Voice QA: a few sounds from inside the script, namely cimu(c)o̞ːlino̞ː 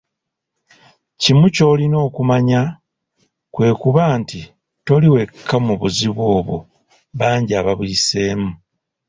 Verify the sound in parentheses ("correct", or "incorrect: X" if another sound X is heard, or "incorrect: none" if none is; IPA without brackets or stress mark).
correct